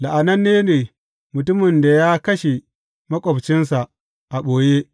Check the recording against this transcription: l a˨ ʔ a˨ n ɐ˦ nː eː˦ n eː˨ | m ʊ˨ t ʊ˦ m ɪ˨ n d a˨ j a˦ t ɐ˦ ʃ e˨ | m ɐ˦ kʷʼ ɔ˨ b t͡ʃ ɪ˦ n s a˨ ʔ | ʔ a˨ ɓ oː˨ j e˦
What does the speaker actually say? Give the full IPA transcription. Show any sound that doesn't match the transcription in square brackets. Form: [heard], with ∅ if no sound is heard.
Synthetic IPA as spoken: l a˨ ʔ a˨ n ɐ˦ nː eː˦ n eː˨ | m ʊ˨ t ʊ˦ m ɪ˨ n d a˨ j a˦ [k] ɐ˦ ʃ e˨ | m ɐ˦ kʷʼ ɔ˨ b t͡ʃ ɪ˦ n s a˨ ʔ | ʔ a˨ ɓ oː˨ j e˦